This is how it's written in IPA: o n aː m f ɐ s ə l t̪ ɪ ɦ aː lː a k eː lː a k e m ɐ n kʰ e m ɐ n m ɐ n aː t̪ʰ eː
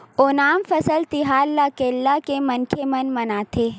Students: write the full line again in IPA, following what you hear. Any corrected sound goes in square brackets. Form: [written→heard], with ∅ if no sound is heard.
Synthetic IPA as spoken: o n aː m f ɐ s ə l t̪ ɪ ɦ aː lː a k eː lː a k e m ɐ n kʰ e m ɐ n m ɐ n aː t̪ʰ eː